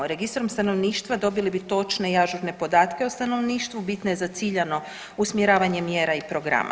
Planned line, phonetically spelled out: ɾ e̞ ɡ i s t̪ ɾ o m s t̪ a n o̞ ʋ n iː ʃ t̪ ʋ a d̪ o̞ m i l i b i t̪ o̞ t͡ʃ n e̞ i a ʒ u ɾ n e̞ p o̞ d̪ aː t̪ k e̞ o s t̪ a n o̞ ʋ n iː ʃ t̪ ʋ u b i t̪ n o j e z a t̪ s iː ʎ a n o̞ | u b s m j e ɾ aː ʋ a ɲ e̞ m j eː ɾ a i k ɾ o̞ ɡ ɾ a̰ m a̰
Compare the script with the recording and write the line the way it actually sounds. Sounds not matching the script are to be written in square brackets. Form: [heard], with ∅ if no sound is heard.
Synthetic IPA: ɾ e̞ ɡ i s t̪ ɾ o m s t̪ a n o̞ ʋ n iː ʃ t̪ ʋ a d̪ o̞ [b] i l i b i t̪ o̞ t͡ʃ n e̞ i a ʒ u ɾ n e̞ p o̞ d̪ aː t̪ k e̞ o s t̪ a n o̞ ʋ n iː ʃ t̪ ʋ u b i t̪ n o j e z a t̪ s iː ʎ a n o̞ | u [∅] s m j e ɾ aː ʋ a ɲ e̞ m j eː ɾ a i [p] ɾ o̞ ɡ ɾ a̰ m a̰